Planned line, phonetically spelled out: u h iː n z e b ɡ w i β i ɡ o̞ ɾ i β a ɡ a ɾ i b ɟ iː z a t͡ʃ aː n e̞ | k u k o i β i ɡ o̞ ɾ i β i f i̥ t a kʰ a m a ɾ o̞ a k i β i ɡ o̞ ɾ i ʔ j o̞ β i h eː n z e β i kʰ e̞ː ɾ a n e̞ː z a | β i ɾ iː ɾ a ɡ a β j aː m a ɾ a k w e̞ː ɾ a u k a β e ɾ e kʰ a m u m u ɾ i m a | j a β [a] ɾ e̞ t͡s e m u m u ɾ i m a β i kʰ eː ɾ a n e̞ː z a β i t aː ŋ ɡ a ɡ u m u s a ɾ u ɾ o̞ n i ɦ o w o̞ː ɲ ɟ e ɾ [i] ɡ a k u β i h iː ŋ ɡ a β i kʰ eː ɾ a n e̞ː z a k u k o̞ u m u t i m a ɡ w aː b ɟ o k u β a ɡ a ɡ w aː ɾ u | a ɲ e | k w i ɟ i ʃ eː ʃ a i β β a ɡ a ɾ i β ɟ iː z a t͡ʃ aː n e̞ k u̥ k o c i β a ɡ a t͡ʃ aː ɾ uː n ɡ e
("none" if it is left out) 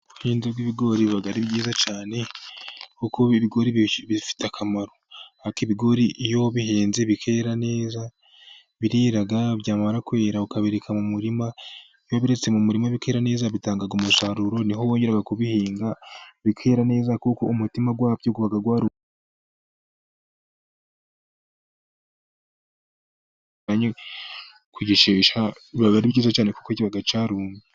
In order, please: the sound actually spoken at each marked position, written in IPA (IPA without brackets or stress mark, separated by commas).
i, a